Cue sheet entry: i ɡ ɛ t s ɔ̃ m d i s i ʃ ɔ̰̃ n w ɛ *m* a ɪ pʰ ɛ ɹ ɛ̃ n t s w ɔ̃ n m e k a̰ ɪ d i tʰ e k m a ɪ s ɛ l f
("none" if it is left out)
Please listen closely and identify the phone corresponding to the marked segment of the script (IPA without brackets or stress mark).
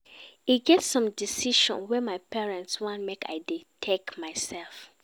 m